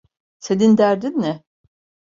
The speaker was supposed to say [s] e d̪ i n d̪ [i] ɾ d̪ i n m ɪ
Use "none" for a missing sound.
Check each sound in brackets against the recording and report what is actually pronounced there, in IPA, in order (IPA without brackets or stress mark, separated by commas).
s, æ